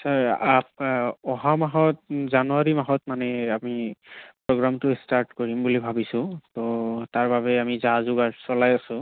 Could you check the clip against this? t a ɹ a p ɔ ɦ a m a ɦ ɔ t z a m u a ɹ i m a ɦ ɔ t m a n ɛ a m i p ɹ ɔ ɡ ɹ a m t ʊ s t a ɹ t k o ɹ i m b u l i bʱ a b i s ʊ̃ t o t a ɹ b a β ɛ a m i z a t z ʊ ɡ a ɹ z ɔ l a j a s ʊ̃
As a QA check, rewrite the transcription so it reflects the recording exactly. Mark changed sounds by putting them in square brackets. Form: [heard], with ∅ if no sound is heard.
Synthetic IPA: [s] a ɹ a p ɔ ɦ a m a ɦ ɔ t z a [n] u a ɹ i m a ɦ ɔ t m a n ɛ a m i p ɹ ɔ ɡ ɹ a m t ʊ s t a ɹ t k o ɹ i m b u l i bʱ a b i s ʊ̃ t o t a ɹ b a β ɛ a m i z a [∅] z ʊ ɡ a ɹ [s] ɔ l a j a s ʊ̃